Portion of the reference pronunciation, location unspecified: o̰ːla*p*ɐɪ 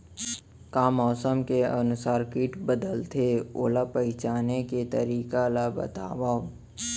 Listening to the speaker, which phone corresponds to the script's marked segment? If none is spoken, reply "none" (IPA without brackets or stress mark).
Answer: p